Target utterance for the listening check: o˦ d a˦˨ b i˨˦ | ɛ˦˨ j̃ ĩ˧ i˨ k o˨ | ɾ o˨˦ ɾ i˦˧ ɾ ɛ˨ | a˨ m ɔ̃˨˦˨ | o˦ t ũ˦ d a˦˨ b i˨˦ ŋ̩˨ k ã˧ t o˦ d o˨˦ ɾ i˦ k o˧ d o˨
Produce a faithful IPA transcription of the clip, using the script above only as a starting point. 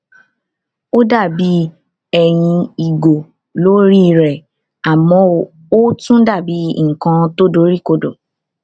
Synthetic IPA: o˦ d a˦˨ b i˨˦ | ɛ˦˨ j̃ ĩ˧ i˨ ɡ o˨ | l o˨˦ ɾ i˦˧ ɾ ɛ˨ | a˨ m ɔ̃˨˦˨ | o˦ t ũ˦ d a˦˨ b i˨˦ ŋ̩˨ k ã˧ t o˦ d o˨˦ ɾ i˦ k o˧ d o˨